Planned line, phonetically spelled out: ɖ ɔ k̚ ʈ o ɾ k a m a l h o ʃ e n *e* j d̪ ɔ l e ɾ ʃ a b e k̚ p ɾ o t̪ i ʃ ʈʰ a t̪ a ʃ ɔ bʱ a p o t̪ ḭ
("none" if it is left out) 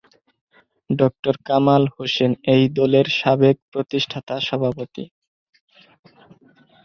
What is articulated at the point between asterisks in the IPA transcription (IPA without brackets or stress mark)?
e